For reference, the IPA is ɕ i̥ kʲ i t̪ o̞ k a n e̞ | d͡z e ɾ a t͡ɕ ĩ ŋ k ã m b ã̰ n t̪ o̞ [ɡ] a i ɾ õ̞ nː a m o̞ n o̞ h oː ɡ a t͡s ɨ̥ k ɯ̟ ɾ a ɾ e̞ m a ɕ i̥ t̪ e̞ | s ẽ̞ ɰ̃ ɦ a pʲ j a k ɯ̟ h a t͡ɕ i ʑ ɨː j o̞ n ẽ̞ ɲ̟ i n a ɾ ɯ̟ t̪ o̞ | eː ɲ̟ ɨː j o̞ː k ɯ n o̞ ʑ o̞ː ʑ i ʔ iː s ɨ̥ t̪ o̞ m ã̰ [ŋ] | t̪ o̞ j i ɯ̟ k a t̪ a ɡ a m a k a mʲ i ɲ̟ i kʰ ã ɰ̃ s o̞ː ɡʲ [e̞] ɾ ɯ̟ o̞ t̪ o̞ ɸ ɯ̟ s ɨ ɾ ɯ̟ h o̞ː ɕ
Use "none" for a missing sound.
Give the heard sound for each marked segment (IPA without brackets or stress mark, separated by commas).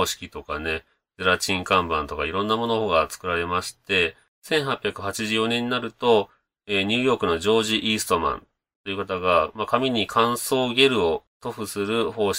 k, n, e̞